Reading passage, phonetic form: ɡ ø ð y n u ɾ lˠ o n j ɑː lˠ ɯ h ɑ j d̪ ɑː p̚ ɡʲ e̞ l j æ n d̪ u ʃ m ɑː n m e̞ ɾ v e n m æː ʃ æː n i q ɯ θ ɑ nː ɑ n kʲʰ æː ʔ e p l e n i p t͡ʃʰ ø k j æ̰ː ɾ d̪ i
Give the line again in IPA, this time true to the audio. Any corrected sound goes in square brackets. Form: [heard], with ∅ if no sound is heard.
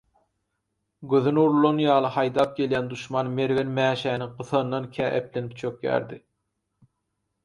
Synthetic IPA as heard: ɡ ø ð y n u ɾ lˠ o n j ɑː lˠ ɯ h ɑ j d̪ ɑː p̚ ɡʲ e̞ l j æ n d̪ u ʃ m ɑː n m e̞ ɾ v e n m æː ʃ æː n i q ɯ θ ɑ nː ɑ n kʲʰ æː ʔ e p l e n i p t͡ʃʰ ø k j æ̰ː ɾ d̪ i

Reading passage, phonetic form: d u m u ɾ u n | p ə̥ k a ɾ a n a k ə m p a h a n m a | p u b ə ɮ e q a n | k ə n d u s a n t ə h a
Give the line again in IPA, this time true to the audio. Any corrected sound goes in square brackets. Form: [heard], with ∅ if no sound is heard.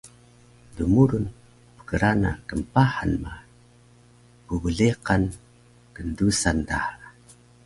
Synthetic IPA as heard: d u m u ɾ u n | p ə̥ k [ə] ɾ a n a k ə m p a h a n m a | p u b ə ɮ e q a n | k ə n d u s a n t [a] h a

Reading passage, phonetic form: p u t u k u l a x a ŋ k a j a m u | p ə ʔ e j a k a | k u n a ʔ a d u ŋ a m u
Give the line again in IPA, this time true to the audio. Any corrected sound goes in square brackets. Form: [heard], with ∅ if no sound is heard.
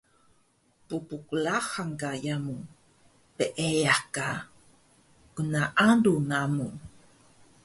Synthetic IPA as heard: p u [p] u k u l a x a ŋ k a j a m u | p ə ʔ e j a k a | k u n a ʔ a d u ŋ a m u

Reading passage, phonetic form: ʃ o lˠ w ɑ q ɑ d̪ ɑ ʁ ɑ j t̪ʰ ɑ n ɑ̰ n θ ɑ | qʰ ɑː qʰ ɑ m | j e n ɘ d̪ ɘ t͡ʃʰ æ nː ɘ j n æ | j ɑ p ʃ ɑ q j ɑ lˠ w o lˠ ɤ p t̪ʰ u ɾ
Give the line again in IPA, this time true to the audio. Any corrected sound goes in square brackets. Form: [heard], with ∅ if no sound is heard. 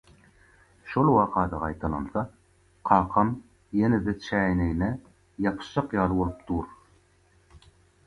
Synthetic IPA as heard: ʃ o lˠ w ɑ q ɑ d̪ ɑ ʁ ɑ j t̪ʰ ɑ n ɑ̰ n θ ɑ | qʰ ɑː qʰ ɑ m | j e n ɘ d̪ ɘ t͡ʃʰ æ [n] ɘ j n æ | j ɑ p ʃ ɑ q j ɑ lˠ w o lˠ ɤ p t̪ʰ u ɾ

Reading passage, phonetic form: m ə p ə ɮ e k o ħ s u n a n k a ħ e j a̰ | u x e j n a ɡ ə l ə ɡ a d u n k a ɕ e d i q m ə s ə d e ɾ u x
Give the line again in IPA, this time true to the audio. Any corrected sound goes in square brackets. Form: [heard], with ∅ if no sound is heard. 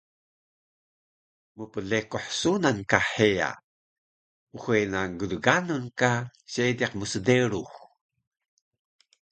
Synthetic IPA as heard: m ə p ə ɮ e k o ħ s u n a n k a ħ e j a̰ | u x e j n a ɡ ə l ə ɡ a [n] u n k a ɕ e d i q m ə s ə d e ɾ u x

